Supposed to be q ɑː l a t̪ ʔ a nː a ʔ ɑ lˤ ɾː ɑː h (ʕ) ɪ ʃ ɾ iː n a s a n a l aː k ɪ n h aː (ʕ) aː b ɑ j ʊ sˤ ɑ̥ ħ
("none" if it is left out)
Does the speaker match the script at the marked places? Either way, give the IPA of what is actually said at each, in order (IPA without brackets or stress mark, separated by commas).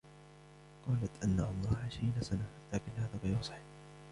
ʕ, ð